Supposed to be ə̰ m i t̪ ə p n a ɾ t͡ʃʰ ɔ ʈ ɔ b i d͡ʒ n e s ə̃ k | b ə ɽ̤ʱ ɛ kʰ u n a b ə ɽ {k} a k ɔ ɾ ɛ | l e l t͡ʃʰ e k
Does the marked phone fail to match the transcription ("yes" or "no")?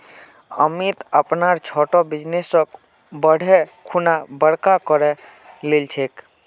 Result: no